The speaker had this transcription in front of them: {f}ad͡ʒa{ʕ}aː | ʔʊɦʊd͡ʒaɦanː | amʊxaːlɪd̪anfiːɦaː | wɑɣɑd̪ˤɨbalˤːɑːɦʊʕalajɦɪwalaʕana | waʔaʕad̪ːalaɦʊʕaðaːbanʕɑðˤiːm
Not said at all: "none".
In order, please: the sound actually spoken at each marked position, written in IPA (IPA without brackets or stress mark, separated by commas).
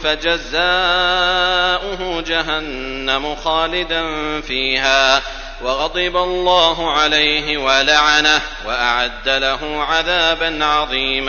f, z